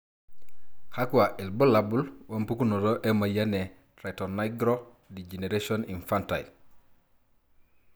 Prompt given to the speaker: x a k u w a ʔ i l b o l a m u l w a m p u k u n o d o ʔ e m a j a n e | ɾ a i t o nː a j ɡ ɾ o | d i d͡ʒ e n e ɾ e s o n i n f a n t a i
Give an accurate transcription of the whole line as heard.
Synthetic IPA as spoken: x a k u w a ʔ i l b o l a b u l w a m p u k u n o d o ʔ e m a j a n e | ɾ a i t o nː a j ɡ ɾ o | d i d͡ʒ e n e ɾ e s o n i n f a n t a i